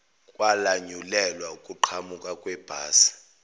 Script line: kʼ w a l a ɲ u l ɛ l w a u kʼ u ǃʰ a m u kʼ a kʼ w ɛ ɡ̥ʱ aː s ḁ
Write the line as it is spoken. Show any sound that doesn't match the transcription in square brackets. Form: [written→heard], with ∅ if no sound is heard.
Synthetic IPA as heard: kʼ w a l a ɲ u l ɛ l w a u kʼ u ǃʰ a m u kʼ a kʼ w ɛ [ɡ̥ʱ→b̥ʱ] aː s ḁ